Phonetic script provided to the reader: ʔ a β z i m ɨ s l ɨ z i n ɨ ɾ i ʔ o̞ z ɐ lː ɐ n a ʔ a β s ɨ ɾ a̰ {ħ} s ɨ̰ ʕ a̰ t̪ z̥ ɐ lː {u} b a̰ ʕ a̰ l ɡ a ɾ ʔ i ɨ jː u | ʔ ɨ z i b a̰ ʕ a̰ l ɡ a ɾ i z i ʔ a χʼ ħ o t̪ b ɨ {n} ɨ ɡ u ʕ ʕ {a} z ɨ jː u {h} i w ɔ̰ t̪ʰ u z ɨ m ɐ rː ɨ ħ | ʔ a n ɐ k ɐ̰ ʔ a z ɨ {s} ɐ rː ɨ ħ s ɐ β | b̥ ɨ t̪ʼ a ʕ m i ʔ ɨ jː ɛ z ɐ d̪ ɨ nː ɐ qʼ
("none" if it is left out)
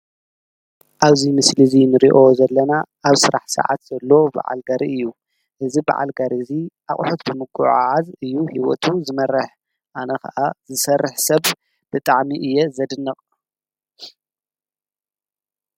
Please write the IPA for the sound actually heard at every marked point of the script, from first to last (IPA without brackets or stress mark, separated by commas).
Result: ħ, o, m, a, h, s